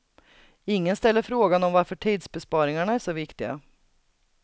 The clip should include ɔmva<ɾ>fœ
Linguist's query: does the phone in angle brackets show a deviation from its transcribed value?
no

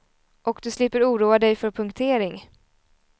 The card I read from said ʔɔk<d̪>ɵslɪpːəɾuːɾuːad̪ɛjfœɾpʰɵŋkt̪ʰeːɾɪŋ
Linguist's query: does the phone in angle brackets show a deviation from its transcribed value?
no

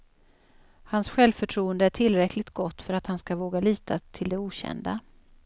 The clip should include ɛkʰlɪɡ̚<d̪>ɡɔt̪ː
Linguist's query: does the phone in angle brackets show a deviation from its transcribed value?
yes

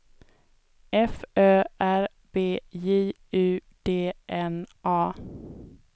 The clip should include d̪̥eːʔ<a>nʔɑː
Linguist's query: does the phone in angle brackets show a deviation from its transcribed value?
yes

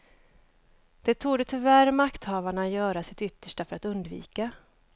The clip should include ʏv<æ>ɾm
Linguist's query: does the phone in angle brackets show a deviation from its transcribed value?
no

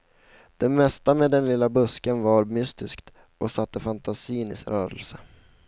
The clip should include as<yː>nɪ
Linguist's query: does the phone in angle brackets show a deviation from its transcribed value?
yes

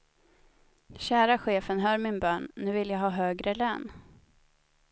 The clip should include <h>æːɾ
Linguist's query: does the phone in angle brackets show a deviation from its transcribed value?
yes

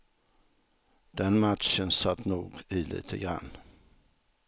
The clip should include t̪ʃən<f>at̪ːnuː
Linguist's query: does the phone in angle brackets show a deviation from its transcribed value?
yes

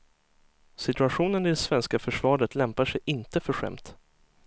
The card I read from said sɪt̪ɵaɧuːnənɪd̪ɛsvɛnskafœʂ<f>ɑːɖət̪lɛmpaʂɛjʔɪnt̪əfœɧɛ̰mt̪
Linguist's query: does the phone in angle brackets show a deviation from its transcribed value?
yes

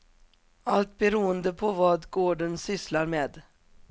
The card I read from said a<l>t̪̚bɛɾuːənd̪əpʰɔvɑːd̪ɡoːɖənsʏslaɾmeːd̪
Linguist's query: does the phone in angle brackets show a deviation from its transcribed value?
no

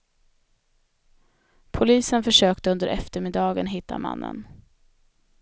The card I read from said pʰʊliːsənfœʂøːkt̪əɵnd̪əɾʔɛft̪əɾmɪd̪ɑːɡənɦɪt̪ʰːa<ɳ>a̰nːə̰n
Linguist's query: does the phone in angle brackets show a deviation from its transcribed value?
yes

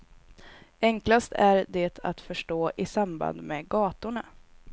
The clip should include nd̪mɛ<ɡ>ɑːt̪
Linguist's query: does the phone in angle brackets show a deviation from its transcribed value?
no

